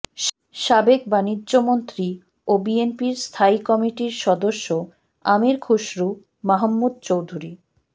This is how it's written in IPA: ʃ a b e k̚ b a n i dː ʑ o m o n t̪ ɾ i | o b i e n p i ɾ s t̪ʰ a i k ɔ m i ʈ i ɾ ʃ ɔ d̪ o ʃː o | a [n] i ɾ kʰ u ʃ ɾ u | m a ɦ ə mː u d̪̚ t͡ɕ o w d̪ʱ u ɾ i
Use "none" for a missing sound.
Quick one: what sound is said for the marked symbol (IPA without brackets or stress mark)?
m